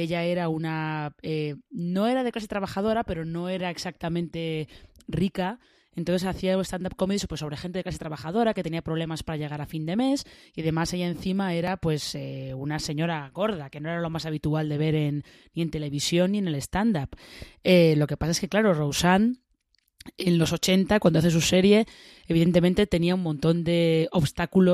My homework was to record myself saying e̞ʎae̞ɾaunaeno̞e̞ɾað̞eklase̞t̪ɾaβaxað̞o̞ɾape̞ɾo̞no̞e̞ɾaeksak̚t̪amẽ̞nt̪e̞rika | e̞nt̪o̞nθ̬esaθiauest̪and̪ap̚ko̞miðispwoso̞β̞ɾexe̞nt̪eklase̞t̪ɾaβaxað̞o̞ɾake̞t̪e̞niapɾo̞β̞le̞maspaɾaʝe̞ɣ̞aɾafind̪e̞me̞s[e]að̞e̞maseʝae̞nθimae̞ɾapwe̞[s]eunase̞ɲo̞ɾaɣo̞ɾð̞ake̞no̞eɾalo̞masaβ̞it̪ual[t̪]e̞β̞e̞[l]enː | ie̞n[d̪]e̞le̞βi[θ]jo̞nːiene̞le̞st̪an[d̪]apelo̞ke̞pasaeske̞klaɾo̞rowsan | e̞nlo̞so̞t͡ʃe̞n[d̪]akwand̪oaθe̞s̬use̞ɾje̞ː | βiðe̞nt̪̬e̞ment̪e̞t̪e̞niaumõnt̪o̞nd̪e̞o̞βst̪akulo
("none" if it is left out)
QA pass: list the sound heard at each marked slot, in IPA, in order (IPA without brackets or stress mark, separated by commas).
i, s, d̪, ɾ, t̪, s, d̪, t̪